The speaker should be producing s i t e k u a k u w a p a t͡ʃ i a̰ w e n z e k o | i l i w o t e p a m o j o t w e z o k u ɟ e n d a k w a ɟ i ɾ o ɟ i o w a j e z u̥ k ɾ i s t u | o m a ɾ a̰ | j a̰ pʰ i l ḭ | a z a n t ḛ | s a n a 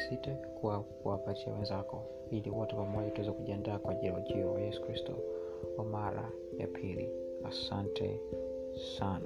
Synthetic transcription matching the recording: s i t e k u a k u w a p a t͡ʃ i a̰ w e n z a k o | i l i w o t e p a m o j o t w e z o k u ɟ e n d a k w a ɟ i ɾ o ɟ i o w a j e s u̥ k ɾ i s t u | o m a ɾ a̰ | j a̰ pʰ i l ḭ | a s a n t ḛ | s a n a